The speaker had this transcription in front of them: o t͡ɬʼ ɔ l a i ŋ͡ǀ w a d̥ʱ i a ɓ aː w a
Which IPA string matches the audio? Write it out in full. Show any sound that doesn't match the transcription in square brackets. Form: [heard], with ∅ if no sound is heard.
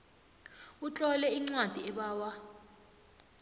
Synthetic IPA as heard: [u] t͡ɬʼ ɔ l [ɛ] i ŋ͡ǀ w a d̥ʱ i [ɛ] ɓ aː w a